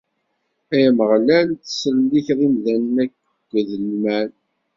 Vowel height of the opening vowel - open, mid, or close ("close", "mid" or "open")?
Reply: open